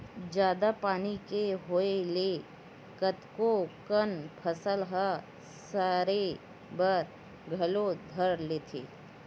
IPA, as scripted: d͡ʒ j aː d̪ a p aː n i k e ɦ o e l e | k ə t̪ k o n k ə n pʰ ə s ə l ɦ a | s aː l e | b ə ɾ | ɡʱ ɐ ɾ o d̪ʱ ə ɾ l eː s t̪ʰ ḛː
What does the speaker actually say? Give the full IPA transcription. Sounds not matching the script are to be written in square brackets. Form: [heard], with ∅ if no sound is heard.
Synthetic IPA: d͡ʒ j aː d̪ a p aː n i k e ɦ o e l e | k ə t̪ k o [∅] k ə n pʰ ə s ə l ɦ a | s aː [ɾ] e | b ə ɾ | ɡʱ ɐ [l] o d̪ʱ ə ɾ l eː [∅] t̪ʰ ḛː